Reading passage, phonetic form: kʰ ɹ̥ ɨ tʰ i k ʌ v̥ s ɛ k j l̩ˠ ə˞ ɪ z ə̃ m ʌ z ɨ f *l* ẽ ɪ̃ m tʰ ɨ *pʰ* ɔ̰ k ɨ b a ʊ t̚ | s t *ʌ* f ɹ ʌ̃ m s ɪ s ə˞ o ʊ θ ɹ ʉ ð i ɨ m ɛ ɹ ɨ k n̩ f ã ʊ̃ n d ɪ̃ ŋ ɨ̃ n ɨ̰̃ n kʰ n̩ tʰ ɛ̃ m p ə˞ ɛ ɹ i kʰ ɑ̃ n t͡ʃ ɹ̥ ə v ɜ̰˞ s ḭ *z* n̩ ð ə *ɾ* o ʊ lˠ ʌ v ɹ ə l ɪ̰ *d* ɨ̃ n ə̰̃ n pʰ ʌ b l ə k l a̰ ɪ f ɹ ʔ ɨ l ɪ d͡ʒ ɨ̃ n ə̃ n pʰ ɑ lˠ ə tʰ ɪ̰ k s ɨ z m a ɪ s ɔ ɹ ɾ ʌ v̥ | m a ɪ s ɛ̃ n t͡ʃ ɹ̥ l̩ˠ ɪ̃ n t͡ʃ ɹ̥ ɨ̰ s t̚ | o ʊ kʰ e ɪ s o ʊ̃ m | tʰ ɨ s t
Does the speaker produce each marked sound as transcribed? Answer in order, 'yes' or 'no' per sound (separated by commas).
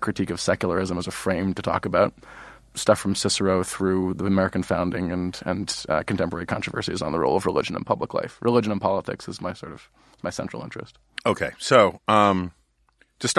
no, no, yes, yes, no, no